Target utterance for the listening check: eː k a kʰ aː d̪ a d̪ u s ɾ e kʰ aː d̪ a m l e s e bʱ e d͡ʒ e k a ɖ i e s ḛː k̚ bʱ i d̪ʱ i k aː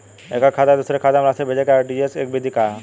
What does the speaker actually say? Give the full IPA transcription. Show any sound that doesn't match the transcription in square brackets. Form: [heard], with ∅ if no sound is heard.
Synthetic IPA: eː k a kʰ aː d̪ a d̪ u s ɾ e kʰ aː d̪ a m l [a] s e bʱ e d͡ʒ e k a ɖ i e s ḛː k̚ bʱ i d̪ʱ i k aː

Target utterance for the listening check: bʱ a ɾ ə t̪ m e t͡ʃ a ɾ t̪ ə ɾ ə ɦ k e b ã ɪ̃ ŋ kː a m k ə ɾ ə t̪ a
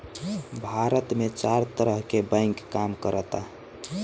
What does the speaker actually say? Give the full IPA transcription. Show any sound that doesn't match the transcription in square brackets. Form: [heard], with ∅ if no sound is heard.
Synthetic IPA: bʱ a ɾ ə t̪ m e t͡ʃ a ɾ t̪ ə ɾ ə ɦ k e b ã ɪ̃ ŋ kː a m k ə ɾ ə t̪ a

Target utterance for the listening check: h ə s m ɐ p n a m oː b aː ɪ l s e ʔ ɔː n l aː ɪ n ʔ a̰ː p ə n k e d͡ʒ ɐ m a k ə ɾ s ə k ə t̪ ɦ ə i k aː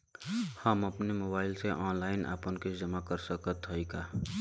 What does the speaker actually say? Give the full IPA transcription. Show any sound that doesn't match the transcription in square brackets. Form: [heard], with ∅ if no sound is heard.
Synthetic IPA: h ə [∅] m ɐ p n [e] m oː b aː ɪ l s e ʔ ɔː n l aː ɪ n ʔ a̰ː p ə n k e d͡ʒ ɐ m a k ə ɾ s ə k ə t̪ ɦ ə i k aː

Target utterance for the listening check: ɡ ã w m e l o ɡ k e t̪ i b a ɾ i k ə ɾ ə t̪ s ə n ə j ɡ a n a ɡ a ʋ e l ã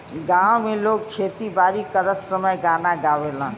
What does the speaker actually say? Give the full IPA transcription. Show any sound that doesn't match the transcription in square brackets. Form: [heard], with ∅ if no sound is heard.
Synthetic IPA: ɡ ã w m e l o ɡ [kʰ] e t̪ i b a ɾ i k ə ɾ ə t̪ s ə [m] ə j ɡ a n a ɡ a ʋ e l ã

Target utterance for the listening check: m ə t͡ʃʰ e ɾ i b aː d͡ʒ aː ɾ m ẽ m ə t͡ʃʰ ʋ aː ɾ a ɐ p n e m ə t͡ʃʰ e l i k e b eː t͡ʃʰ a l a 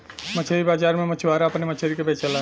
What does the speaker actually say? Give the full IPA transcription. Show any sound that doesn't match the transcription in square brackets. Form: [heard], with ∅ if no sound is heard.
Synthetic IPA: m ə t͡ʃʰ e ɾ i b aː d͡ʒ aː ɾ m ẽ m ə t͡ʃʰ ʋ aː ɾ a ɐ p n e m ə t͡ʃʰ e [ɾ] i k e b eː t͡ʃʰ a l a

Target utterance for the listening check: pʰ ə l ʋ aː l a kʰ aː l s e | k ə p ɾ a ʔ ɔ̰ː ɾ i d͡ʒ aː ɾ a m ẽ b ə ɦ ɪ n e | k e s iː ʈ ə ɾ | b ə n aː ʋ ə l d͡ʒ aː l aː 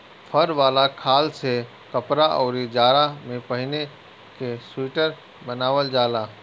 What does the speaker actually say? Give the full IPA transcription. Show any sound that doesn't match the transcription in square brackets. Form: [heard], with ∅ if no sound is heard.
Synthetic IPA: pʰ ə [ɾ] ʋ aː l a kʰ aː l s e | k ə p ɾ a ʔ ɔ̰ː ɾ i d͡ʒ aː ɾ a m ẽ [p] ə ɦ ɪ n e | k e s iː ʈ ə ɾ | b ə n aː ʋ ə l d͡ʒ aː l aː

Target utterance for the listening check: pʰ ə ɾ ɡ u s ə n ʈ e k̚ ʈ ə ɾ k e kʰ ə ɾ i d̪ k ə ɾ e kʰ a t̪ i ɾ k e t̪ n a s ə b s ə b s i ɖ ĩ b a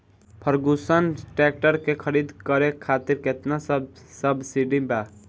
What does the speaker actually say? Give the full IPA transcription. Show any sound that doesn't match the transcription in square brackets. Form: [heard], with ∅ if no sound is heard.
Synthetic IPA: pʰ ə ɾ ɡ u s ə n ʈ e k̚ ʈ ə ɾ k e kʰ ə ɾ i d̪ k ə ɾ e kʰ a t̪ i ɾ k e t̪ n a s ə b s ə b s i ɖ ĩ b a

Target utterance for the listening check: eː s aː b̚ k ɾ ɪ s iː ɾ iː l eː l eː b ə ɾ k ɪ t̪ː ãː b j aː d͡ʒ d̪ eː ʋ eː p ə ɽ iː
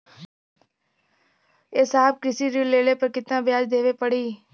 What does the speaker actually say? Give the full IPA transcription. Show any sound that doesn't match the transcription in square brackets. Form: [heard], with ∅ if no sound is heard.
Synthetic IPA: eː s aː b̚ k ɾ ɪ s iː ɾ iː l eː l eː [p] ə ɾ k ɪ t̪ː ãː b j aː d͡ʒ d̪ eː ʋ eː p ə ɽ iː

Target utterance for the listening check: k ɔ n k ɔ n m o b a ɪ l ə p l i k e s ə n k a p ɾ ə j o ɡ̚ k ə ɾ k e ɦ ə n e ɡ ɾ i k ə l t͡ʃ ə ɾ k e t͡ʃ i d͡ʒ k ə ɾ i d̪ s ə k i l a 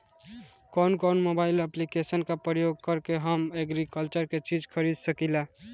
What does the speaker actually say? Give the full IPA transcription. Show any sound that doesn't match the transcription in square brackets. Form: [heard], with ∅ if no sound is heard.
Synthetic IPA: k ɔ n k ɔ n m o b a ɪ l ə p l i k e s ə n k a p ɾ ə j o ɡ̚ k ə ɾ k e ɦ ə [m] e ɡ ɾ i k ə l t͡ʃ ə ɾ k e t͡ʃ i d͡ʒ [kʰ] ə ɾ i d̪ s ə k i l a

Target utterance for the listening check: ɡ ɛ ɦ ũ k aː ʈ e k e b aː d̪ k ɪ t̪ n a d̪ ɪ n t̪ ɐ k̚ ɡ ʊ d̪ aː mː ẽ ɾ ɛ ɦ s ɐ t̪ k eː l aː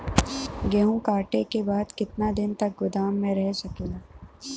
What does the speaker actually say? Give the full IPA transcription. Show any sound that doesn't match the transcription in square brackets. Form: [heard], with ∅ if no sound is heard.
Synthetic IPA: ɡ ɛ ɦ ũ k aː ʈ e k e b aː d̪ k ɪ t̪ n a d̪ ɪ n t̪ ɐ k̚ ɡ ʊ d̪ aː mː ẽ ɾ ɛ ɦ s ɐ [∅] k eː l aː

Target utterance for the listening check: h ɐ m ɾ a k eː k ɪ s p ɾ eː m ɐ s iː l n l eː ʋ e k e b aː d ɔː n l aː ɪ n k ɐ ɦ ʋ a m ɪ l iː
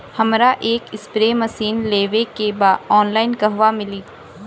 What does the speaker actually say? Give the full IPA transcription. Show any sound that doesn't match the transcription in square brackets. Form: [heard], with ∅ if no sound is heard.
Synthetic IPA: h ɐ m ɾ a [ʔ] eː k ɪ s p ɾ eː m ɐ s iː [∅] n l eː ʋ e k e b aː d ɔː n l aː ɪ n k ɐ ɦ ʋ a m ɪ l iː

